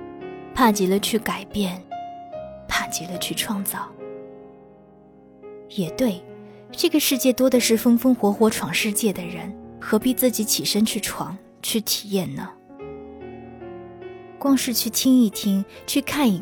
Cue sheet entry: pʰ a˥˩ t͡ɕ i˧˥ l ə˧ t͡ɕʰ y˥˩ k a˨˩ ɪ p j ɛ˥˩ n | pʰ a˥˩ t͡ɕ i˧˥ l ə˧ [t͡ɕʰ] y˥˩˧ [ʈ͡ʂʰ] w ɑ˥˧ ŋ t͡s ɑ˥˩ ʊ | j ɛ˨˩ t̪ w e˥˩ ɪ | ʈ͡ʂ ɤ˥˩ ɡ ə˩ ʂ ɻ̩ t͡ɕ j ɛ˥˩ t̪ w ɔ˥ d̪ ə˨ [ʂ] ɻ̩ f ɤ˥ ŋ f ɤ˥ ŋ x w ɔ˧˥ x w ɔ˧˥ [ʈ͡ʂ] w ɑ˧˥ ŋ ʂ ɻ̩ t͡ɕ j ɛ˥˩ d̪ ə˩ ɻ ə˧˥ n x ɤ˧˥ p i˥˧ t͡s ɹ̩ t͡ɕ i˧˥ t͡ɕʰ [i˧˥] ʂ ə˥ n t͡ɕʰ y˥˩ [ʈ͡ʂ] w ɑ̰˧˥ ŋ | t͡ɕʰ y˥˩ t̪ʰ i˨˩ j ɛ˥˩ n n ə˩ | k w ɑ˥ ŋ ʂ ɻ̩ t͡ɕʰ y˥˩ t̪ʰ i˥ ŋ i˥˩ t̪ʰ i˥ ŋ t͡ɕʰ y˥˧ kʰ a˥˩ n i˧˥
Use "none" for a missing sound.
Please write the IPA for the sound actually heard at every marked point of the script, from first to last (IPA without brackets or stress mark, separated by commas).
t͡ɕʰ, ʈ͡ʂʰ, ʂ, ʈ͡ʂʰ, i˨˩, ʈ͡ʂʰ